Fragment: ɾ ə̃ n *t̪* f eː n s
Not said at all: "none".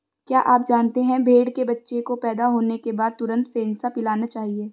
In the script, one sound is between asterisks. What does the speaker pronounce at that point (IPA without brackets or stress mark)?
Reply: t̪